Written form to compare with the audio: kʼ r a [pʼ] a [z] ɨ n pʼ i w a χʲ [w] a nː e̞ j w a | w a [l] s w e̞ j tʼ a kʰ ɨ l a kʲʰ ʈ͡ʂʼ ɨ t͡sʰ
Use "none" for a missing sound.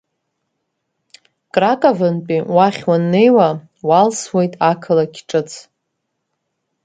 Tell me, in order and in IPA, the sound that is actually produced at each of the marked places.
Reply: kʼ, v, w, l

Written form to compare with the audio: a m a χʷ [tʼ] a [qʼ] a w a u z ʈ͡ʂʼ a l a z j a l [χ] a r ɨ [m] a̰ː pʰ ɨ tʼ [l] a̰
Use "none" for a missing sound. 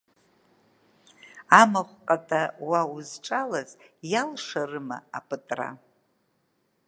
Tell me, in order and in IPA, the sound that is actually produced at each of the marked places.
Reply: qʼ, tʼ, ʂ, m, r

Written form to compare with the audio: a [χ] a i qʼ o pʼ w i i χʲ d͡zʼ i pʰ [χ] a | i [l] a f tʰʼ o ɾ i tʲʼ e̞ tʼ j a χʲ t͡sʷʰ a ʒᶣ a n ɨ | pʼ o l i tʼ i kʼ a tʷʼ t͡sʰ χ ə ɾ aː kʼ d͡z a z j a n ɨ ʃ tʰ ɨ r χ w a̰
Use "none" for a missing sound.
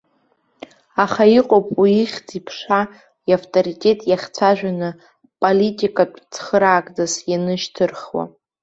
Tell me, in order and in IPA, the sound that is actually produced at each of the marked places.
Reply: χ, ʂ, none

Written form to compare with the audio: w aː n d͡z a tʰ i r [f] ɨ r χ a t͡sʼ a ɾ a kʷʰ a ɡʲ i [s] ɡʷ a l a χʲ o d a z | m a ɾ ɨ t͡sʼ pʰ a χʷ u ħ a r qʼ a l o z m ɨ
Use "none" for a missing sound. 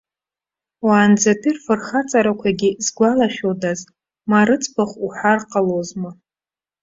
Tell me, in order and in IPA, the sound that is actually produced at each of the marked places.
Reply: f, z

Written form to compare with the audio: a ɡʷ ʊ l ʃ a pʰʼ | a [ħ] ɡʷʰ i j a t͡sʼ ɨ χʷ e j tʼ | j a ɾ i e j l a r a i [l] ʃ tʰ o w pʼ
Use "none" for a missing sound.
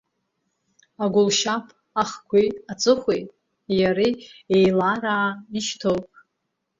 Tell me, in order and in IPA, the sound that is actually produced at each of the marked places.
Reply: χ, none

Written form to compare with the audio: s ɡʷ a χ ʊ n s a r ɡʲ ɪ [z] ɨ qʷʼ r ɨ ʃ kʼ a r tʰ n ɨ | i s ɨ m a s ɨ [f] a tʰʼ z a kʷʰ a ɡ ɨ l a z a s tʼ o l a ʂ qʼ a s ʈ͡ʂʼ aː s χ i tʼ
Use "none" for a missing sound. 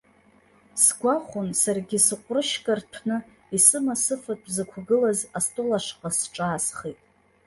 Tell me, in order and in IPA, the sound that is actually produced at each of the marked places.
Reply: s, f

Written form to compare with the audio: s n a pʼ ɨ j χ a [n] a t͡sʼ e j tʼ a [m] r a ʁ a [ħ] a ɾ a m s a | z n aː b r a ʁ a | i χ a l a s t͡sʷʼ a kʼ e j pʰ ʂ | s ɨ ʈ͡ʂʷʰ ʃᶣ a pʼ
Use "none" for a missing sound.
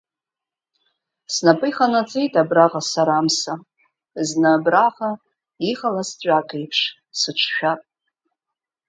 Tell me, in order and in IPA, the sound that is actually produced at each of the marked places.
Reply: n, b, s

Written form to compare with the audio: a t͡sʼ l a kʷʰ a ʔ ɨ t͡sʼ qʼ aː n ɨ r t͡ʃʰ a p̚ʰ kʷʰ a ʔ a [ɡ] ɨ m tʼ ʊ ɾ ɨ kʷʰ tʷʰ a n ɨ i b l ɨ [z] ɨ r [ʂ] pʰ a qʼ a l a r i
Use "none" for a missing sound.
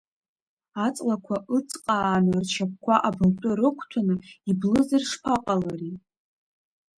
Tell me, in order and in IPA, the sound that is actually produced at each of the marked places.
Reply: b, z, ʂ

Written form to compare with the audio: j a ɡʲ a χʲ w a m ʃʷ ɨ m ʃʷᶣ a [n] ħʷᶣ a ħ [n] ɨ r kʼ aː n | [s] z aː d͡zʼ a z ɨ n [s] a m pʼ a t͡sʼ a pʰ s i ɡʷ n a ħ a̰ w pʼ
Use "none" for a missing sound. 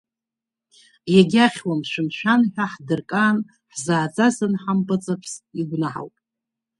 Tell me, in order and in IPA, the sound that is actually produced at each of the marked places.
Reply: n, d, ħ, ħ

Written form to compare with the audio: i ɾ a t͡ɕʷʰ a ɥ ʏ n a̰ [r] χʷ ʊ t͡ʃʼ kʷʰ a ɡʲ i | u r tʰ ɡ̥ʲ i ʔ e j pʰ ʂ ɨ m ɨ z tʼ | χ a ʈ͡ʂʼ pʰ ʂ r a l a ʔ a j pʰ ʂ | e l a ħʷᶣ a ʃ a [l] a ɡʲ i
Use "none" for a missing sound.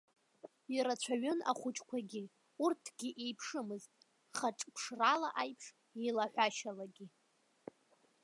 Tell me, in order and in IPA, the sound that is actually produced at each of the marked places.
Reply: none, l

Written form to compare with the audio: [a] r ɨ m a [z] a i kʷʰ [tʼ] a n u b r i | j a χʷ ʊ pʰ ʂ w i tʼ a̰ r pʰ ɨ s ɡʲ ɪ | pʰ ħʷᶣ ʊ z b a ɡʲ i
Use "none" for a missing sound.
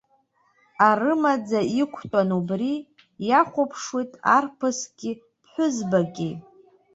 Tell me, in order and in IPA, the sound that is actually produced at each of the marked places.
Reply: a, d͡z, tʼ

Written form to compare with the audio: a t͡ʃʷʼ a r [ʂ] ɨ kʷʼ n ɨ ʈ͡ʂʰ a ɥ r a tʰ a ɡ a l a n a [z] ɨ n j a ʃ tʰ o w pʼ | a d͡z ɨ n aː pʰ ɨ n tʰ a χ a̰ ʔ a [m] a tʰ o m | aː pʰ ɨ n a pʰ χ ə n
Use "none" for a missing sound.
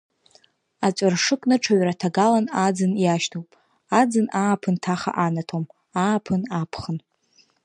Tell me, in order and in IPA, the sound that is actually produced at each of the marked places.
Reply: ʂ, d͡z, n

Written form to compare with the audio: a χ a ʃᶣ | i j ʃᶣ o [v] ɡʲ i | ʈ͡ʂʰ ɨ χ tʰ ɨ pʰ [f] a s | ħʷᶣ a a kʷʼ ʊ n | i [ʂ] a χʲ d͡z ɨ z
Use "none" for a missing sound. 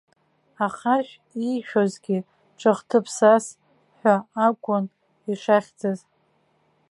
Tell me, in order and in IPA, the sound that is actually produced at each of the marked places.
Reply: z, s, ʂ

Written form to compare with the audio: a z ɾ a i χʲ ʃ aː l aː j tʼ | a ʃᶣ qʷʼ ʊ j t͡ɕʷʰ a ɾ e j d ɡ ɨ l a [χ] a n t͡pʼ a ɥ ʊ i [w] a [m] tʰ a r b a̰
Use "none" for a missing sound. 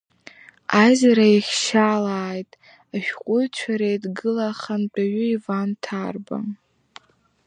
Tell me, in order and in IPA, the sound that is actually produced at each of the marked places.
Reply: χ, v, n

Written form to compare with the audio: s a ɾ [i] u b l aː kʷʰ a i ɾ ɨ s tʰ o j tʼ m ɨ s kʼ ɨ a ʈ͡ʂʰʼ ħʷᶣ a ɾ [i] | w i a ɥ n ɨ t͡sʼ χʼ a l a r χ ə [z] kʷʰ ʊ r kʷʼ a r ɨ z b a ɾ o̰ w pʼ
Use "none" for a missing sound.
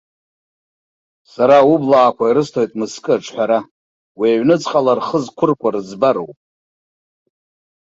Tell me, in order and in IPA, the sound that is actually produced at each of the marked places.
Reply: a, a, z

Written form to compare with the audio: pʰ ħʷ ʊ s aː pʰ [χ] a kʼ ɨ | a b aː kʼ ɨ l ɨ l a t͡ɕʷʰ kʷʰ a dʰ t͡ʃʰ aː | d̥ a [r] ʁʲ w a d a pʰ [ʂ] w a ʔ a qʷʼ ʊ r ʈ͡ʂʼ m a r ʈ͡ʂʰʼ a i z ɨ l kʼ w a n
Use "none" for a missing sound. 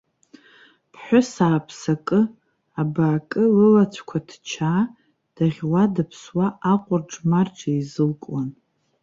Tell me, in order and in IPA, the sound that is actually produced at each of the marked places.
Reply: s, none, s

